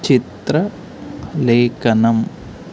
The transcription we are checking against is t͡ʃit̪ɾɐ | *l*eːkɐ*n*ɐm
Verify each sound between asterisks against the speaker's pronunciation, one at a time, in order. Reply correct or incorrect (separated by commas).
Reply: correct, correct